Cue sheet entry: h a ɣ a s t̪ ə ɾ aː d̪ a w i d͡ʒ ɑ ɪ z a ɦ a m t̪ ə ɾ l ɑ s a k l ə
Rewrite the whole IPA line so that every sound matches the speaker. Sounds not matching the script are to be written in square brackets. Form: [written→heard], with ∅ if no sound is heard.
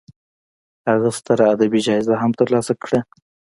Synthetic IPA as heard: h a ɣ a s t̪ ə ɾ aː d̪ a [w→b] i d͡ʒ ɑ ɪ z a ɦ a m t̪ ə ɾ l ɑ s a k [l→ɽ] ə